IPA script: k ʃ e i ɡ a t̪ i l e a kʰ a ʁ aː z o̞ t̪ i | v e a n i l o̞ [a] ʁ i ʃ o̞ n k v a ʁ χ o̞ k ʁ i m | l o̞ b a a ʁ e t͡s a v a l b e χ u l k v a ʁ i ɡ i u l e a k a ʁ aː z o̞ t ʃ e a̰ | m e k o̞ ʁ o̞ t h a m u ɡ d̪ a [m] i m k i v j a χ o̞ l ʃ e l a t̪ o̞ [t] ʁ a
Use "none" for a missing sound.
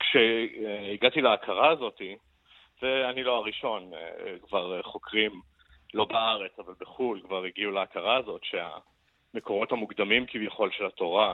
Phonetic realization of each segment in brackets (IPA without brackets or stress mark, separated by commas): a, m, none